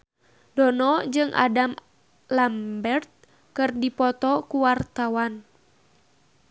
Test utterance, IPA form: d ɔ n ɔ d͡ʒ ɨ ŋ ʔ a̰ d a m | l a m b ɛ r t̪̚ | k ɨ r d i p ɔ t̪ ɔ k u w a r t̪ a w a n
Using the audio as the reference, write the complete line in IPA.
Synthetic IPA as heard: d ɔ n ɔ d͡ʒ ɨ ŋ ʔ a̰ d a m | l a m b ɛ r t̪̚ | k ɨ r d i p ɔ t̪ ɔ k u w a r t̪ a w a n